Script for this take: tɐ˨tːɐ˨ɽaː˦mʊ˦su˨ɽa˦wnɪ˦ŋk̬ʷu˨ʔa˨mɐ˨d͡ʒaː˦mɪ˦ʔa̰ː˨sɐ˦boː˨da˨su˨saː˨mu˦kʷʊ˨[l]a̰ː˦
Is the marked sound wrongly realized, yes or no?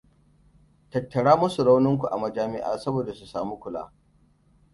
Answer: no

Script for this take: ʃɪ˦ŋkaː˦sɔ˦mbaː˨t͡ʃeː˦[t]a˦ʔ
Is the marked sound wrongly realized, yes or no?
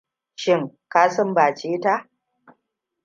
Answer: no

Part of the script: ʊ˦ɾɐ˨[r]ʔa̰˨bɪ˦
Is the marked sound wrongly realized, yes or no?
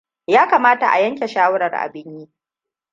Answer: no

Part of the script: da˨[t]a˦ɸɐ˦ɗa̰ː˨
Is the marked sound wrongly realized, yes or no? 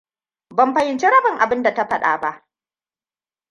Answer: no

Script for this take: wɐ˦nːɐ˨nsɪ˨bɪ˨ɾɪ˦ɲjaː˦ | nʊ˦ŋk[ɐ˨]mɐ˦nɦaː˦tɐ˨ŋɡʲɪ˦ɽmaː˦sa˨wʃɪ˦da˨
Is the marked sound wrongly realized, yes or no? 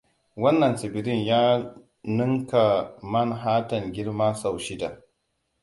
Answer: yes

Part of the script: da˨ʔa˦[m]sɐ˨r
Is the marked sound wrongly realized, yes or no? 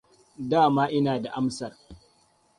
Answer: no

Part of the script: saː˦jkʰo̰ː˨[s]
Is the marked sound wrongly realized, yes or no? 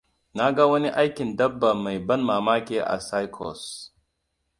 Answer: no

